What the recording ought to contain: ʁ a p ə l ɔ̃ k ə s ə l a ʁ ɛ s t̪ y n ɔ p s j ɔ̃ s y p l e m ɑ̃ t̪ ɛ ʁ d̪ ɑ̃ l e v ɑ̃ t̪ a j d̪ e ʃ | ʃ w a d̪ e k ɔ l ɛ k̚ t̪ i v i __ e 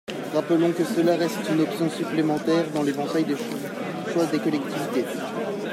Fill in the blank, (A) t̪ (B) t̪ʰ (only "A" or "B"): A